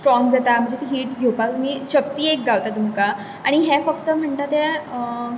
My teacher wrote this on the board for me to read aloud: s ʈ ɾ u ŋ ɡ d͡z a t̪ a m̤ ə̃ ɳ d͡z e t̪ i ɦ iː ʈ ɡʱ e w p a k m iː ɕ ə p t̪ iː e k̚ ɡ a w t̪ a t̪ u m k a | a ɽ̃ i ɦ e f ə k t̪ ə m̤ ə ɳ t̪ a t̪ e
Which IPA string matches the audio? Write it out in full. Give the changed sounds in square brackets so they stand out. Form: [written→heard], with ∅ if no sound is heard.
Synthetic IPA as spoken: s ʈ ɾ [u→ɔ] ŋ ɡ d͡z a t̪ a m̤ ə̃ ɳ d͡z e t̪ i ɦ iː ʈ ɡʱ e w p a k m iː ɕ ə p t̪ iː e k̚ ɡ a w t̪ a t̪ u m k a | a ɽ̃ i ɦ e f ə k t̪ ə m̤ ə ɳ t̪ a t̪ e